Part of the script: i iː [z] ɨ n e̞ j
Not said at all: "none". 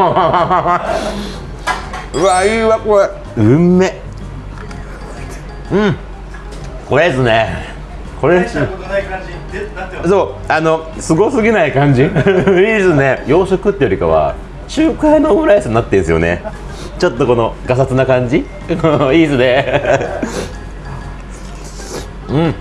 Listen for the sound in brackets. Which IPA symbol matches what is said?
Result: s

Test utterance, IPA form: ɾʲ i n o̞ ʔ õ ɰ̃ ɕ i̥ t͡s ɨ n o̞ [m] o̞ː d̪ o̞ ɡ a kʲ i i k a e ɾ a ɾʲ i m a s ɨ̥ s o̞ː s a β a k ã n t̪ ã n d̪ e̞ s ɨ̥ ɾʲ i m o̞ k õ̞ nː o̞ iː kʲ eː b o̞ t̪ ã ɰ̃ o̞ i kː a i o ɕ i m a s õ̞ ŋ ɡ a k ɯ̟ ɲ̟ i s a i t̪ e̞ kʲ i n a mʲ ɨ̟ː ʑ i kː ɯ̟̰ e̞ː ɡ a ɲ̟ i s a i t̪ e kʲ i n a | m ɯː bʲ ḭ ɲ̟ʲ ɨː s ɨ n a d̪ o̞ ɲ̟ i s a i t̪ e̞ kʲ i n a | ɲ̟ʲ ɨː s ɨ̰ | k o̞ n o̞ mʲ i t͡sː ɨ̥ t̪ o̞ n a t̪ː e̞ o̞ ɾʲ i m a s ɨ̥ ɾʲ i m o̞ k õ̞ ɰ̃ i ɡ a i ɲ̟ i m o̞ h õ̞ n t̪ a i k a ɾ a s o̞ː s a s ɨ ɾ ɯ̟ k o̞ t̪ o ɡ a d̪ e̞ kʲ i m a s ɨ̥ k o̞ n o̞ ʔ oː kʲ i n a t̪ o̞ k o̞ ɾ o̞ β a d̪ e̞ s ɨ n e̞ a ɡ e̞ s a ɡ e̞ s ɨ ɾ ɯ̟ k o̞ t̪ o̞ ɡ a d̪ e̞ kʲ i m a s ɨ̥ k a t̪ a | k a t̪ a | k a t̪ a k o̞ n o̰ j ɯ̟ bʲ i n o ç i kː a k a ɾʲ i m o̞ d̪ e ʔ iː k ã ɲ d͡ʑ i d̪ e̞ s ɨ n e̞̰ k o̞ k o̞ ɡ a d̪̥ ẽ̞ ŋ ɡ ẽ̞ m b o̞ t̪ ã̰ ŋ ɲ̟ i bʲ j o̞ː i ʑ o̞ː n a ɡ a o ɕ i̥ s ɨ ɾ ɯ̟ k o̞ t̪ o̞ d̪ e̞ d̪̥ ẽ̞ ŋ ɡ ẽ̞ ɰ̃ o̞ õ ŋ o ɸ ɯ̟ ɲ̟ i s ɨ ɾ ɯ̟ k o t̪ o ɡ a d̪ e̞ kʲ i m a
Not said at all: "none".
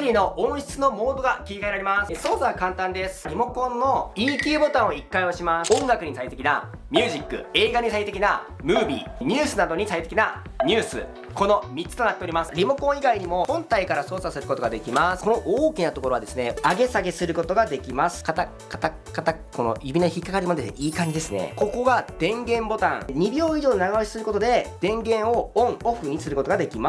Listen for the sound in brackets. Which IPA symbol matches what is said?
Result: m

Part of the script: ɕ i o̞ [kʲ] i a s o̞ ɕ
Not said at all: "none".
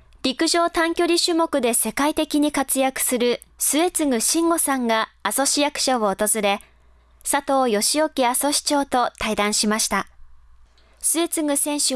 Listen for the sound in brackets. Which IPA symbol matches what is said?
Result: kʲ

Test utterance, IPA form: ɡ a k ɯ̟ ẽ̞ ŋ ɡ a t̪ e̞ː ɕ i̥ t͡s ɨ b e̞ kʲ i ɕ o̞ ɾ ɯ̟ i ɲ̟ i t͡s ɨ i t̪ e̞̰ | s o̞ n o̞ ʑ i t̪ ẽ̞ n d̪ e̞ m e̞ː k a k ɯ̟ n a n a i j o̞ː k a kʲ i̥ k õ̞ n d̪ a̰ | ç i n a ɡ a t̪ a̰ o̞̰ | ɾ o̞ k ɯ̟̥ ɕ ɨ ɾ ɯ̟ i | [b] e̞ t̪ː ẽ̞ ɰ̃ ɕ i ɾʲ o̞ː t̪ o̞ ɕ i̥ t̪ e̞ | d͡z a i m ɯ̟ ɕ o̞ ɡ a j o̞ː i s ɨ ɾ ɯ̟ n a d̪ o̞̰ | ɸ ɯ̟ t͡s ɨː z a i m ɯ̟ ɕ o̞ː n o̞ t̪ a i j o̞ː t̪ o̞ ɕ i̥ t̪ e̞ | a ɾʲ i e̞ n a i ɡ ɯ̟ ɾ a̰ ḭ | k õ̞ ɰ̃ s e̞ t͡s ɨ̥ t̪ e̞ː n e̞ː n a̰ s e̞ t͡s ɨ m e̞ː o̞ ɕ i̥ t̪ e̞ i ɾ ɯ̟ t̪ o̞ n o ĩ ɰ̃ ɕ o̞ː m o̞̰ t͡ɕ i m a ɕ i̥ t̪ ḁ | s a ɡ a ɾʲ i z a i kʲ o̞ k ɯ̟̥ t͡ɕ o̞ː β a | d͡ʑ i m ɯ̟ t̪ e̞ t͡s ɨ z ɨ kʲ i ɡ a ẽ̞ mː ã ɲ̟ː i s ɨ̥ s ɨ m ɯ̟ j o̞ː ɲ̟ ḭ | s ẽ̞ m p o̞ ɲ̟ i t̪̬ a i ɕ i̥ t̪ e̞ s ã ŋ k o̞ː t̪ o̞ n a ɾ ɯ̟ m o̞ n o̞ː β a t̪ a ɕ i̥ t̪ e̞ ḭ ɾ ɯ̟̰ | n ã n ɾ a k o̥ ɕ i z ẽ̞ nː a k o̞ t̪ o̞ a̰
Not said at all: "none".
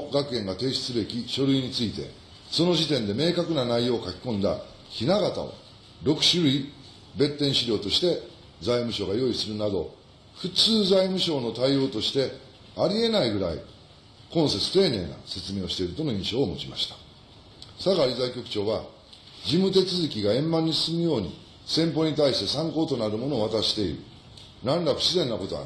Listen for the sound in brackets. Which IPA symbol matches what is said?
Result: b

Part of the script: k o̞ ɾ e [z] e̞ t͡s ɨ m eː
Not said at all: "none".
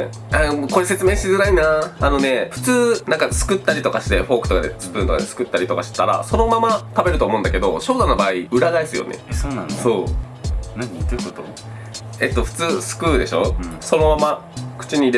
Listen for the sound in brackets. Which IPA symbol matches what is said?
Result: s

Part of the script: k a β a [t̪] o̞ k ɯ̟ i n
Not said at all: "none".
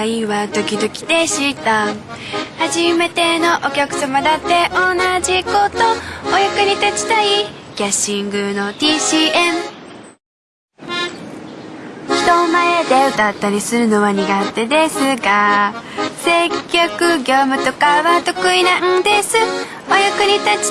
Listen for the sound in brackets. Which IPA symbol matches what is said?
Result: t̪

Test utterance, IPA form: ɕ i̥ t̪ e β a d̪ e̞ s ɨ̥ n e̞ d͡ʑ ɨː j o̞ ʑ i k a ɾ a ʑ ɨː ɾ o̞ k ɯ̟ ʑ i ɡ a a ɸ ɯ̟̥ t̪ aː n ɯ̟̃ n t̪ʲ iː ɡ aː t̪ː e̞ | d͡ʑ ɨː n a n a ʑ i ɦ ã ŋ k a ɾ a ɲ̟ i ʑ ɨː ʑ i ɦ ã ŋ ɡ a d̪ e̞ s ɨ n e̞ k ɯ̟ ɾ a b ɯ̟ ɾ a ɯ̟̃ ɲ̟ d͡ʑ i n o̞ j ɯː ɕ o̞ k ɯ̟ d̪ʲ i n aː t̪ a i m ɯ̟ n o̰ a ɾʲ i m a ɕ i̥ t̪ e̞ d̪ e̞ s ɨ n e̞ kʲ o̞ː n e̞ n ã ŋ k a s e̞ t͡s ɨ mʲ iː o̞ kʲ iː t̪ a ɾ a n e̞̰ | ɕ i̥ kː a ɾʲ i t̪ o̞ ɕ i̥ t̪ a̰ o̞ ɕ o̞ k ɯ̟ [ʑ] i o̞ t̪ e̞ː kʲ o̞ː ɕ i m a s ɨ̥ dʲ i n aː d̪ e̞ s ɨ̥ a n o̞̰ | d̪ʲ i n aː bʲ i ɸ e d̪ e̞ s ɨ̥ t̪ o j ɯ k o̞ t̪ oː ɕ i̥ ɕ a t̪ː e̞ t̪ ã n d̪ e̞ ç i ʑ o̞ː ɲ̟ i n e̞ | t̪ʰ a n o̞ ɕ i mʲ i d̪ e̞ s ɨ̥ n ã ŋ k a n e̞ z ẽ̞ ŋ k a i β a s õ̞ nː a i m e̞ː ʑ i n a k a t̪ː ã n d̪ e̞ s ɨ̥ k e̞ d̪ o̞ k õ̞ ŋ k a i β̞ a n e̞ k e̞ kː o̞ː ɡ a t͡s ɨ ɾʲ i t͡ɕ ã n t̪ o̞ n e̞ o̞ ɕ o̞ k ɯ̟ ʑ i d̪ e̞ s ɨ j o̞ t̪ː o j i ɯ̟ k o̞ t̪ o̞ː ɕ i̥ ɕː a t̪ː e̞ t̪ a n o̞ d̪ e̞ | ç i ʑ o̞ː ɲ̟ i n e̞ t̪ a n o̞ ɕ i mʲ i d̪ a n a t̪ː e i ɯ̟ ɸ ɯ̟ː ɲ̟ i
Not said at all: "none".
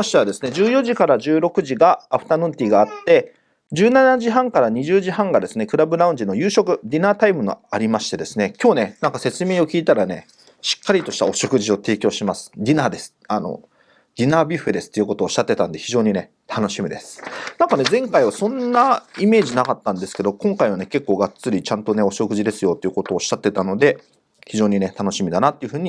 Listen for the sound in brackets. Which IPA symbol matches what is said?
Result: ʑ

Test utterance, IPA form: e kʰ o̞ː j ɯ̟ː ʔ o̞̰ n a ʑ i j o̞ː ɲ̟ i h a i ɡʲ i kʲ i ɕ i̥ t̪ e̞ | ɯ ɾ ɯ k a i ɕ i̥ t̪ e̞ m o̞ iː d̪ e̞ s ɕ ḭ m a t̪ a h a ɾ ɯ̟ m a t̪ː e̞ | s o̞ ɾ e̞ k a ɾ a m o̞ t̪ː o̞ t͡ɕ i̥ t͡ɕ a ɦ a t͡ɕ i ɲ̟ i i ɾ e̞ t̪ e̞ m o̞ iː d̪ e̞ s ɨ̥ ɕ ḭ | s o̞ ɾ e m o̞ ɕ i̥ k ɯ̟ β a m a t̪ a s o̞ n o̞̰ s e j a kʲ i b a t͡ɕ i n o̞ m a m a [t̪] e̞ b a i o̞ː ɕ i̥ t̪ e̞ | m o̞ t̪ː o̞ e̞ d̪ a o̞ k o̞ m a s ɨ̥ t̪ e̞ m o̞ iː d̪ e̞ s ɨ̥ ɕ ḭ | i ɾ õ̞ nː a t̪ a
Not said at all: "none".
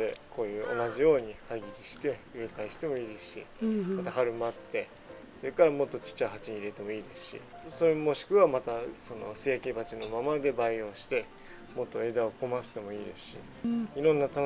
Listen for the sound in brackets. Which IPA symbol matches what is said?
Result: d̪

